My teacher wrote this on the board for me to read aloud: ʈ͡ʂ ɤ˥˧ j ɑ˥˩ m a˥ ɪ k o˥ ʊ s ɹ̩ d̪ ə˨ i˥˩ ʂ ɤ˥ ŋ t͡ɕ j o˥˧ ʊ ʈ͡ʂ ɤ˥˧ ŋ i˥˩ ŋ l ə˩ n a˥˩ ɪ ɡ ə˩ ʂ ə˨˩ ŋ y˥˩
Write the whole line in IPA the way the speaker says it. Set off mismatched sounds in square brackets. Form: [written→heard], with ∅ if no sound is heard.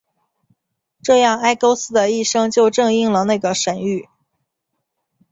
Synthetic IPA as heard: ʈ͡ʂ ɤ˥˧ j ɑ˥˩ [m→ŋ] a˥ ɪ k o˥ ʊ s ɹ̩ d̪ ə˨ i˥˩ ʂ ɤ˥ ŋ t͡ɕ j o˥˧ ʊ ʈ͡ʂ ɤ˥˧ ŋ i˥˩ ŋ l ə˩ n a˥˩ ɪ ɡ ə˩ ʂ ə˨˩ [ŋ→n] y˥˩